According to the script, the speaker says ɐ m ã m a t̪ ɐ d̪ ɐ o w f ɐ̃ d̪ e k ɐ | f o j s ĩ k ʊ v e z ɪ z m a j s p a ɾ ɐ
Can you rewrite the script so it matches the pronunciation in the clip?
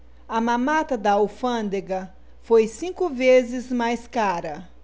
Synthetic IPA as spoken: ɐ m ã m a t̪ ɐ d̪ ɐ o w f ɐ̃ d̪ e ɡ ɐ | f o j s ĩ k ʊ v e z ɪ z m a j s k a ɾ ɐ

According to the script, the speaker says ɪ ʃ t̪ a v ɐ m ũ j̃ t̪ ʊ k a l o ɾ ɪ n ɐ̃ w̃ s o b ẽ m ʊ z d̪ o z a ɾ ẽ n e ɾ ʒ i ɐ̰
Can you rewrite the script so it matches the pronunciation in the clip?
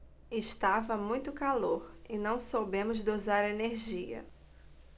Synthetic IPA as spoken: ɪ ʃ t̪ a v ɐ m ũ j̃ t̪ ʊ k a l o ɾ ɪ n ɐ̃ w̃ s o b ẽ m ʊ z d̪ o z a ɾ e n e ɾ ʒ i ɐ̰

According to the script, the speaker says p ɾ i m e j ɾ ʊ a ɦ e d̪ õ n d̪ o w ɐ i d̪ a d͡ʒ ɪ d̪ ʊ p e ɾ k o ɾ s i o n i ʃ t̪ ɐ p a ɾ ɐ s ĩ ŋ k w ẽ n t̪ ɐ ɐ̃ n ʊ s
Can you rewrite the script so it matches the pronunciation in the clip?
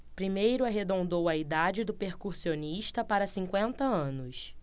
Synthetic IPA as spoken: p ɾ i m e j ɾ ʊ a ɦ e d̪ õ n d̪ o w ɐ i d̪ a d͡ʒ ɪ d̪ ʊ p e ɾ k u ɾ s i o n i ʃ t̪ ɐ p a ɾ ɐ s ĩ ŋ k w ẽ n t̪ ɐ ɐ̃ n ʊ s

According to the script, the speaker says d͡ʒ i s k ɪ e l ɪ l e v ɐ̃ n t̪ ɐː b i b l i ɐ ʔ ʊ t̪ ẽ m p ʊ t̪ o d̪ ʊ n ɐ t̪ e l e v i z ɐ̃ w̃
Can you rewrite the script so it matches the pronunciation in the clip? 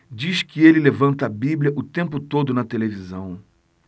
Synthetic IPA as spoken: d͡ʒ i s k ɪ e l ɪ l e v ɐ̃ n t̪ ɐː b i b l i ɐ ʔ ʊ t̪ ẽ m p ʊ t̪ o d̪ ʊ n ɐ t̪ e l e v i z ɐ̃ w̃

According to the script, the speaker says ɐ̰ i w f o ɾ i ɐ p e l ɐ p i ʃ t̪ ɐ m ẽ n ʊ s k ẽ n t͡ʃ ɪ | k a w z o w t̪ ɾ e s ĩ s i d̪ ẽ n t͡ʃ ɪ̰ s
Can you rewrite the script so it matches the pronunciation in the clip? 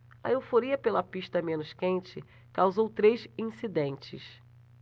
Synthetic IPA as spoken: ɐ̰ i w f o ɾ i ɐ p e l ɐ p i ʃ t̪ ɐ m ẽ n ʊ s k ẽ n t͡ʃ ɪ | k a w z o w t̪ ɾ e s ĩ s i d̪ ẽ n t͡ʃ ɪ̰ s

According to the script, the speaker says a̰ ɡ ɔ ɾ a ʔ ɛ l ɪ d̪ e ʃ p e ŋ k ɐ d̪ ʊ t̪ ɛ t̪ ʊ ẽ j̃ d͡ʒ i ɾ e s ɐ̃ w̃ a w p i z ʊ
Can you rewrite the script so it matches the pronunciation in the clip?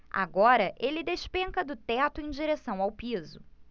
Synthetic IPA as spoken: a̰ ɡ ɔ ɾ ɐ ʔ e l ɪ d̪ e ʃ p ẽ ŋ k ɐ d̪ ʊ t̪ ɛ t̪ ʊ ẽ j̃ d͡ʒ i ɾ e s ɐ̃ w̃ a w p i z ʊ

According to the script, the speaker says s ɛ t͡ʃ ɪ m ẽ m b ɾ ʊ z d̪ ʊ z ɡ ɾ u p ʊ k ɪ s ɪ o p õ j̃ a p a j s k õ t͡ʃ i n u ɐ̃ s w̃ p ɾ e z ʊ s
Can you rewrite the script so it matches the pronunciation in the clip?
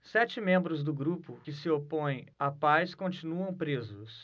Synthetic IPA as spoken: s ɛ t͡ʃ ɪ m ẽ m b ɾ ʊ z d̪ ʊ ɡ ɾ u p ʊ k ɪ s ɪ o p õ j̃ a p a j s k õ t͡ʃ i n u ɐ̃ w̃ p ɾ e z ʊ s

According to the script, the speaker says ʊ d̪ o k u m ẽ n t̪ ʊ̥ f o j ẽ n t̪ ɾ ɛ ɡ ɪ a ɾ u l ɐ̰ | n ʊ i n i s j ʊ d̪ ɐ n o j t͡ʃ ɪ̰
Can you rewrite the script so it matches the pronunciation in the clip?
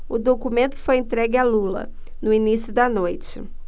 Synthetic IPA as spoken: ʊ d̪ o k u m ẽ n t̪ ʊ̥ f o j ẽ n t̪ ɾ ɛ ɡ ɪ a l u l ɐ̰ | n ʊ i n i s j ʊ d̪ ɐ n o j t͡ʃ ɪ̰

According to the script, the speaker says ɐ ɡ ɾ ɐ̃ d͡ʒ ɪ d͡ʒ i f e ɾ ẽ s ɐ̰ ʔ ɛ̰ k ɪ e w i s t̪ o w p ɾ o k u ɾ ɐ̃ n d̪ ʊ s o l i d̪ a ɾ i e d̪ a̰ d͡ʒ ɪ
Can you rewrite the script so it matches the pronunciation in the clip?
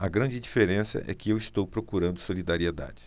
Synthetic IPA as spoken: ɐ ɡ ɾ ɐ̃ d͡ʒ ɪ d͡ʒ i f e ɾ ẽ s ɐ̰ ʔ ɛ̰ k ɪ e w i s t̪ o w p ɾ o k u ɾ ɐ̃ n d̪ ʊ s o l i d̪ a ɾ i e d̪ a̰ d͡ʒ ɪ

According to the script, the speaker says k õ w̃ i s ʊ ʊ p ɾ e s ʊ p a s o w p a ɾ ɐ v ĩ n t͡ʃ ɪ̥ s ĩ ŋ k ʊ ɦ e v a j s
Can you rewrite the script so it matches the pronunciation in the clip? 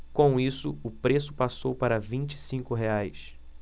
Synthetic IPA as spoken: k õ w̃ i s ʊ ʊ p ɾ e s ʊ p a s o w p a ɾ ɐ v ĩ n t͡ʃ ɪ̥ s ĩ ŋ k ʊ ɦ e a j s

